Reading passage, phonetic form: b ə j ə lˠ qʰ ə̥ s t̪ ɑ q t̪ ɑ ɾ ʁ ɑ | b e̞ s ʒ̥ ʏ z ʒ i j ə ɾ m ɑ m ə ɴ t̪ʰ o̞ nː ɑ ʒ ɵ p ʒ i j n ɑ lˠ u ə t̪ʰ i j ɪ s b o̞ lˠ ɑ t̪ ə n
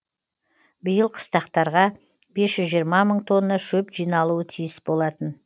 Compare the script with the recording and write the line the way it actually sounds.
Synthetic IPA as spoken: b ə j ə lˠ qʰ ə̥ s t̪ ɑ q t̪ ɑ ɾ ʁ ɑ | b e̞ s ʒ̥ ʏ z ʒ i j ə ɾ m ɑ m ə ɴ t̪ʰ o̞ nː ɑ ʃ ɵ p ʒ i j n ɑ lˠ u ə t̪ʰ i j ɪ s b o̞ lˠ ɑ t̪ ə n